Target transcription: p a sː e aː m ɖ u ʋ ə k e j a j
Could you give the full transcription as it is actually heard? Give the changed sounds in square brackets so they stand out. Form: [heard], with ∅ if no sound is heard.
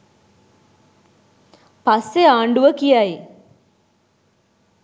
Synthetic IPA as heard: p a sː e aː [ɳ] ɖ u ʋ ə k [i] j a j